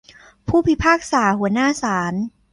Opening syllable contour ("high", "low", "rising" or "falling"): falling